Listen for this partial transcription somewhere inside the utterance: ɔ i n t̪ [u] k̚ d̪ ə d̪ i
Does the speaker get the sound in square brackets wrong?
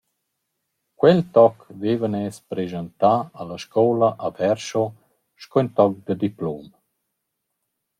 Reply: yes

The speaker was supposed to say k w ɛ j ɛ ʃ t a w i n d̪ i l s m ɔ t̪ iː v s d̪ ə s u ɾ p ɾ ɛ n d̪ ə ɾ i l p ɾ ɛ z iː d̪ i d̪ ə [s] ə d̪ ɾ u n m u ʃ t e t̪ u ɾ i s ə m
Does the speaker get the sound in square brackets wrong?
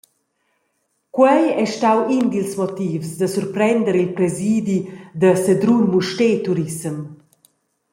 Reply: no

